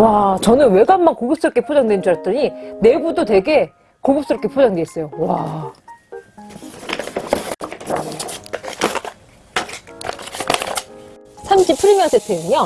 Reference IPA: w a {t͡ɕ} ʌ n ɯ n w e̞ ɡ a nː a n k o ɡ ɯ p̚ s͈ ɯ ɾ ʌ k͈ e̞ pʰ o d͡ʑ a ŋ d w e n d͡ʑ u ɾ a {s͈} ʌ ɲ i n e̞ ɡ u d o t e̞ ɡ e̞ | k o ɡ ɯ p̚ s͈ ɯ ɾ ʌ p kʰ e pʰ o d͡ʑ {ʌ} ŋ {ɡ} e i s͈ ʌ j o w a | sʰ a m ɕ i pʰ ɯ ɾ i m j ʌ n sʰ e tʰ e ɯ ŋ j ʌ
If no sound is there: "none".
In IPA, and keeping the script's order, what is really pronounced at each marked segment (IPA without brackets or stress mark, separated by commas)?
t͡ɕ, t͈, a, d